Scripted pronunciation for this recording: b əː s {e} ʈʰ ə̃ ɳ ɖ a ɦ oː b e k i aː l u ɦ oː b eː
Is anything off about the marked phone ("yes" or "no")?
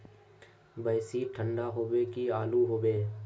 yes